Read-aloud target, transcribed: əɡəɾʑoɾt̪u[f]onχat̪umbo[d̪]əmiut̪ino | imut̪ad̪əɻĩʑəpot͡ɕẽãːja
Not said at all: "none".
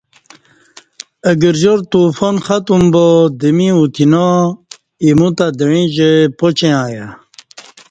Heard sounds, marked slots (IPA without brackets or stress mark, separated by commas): f, d̪